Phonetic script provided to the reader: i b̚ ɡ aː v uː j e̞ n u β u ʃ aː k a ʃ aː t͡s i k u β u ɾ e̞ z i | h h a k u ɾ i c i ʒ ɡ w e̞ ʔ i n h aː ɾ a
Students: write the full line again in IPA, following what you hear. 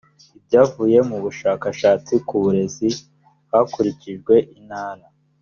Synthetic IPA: i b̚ ɟ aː v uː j e̞ m u β u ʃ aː k a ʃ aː t͡s i k u β u ɾ e̞ z i | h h a k u ɾ i c i ʒ ɡ w e̞ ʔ i n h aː ɾ a

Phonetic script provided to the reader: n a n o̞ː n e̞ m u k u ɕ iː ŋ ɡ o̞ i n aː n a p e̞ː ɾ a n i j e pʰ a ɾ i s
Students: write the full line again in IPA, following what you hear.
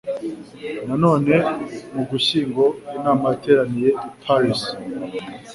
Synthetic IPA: n a n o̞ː n e̞ m u ɡ u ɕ iː ŋ ɡ o̞ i n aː m a t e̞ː ɾ a n i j e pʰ a ɾ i s

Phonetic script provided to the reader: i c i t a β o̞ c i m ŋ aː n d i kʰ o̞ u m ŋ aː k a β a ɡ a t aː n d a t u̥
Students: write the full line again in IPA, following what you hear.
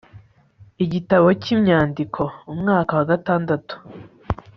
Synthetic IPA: i ɟ i t a β o̞ c i m ɲ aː n d i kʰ o̞ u m ŋ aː k a w a ɡ a t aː n d a t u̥

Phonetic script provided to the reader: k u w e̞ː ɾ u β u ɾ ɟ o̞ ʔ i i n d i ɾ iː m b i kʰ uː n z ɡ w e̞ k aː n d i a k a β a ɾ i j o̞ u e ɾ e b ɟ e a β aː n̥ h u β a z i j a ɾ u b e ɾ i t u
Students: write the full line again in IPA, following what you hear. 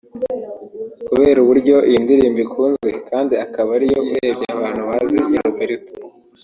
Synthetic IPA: k u β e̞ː ɾ u β u ɾ ɟ o̞ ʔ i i n d i ɾ iː m b i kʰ uː n z ɡ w e̞ k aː n d i a k a β a ɾ i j o̞ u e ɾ e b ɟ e a β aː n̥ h u β a z i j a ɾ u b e ɾ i t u

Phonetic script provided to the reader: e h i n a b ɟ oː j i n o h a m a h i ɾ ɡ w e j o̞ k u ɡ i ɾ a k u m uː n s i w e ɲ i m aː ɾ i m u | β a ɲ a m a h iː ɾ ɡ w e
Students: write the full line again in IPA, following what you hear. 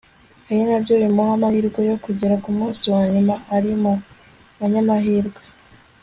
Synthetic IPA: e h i n a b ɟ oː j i m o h a m a h i ɾ ɡ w e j o̞ k u ɟ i ɾ a k u m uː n s i w a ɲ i m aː ɾ i m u | β a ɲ a m a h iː ɾ ɡ w e

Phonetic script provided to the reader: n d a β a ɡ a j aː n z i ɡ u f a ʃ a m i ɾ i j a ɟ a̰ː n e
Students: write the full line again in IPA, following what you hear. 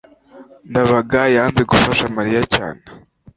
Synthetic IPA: n d a β a ɡ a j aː n z e ɡ u f a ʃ a m a ɾ i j a c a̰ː n e

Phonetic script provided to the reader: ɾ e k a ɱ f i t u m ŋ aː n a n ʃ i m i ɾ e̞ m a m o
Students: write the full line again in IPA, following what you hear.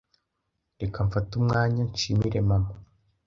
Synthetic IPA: ɾ e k a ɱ f a t u m ŋ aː ɲ a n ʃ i m i ɾ e̞ m a m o

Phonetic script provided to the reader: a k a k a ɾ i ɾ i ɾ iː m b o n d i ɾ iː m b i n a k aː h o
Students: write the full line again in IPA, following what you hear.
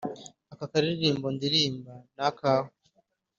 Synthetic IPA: a k a k a ɾ i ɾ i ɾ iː m b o n d i ɾ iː m b a n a k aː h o

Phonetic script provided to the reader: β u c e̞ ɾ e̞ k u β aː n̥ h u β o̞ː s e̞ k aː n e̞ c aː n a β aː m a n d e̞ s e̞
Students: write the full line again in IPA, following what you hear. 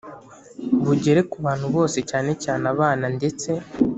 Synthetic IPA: β u ɟ e̞ ɾ e̞ k u β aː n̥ h u β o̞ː s e̞ c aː n e̞ c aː n a β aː n a n d e̞ t͡s e̞

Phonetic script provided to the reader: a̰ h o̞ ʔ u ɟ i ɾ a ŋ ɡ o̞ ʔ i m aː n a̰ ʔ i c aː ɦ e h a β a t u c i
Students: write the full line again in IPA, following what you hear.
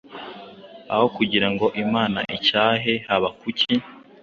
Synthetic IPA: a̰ h o̞ k u ɟ i ɾ a ŋ ɡ o̞ ʔ i m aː n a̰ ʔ i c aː ɦ e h a β a k u c i

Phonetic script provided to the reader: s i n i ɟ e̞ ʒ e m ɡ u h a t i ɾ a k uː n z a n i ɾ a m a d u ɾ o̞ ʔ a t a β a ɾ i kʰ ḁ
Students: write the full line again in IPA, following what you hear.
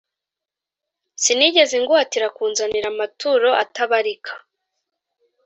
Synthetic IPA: s i n i ɟ e̞ z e ŋ ɡ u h a t i ɾ a k uː n z a n i ɾ a m a t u ɾ o̞ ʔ a t a β a ɾ i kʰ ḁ

